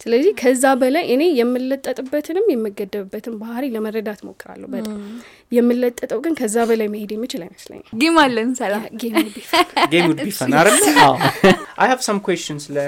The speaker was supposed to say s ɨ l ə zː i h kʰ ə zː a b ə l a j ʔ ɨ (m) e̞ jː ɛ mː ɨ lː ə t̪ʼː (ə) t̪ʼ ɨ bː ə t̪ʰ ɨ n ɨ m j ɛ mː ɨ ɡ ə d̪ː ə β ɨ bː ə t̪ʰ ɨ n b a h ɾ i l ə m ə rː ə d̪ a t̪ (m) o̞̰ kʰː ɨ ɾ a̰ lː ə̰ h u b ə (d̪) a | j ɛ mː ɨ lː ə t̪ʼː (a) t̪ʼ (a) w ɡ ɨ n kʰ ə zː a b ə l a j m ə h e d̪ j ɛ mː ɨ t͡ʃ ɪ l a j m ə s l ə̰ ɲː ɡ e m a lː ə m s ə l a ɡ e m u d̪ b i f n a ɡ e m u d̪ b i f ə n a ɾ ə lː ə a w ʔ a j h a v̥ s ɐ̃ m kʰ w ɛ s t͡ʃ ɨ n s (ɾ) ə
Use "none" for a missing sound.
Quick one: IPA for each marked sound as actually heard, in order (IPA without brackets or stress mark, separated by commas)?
n, ə, m, t̪, ə, ə, l